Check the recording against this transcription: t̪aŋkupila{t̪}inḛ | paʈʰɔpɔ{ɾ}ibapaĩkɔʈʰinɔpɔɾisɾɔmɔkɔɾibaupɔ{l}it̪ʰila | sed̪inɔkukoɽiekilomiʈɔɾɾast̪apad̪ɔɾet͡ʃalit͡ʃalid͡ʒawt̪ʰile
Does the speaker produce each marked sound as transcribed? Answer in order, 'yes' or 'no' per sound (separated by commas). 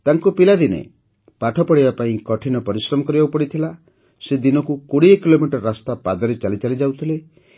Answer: no, no, no